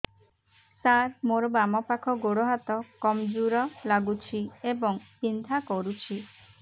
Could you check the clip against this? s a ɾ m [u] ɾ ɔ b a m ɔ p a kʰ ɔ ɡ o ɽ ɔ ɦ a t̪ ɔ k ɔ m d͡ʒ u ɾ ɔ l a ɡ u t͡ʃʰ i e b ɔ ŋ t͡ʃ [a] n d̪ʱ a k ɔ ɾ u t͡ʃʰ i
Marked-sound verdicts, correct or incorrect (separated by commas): incorrect, incorrect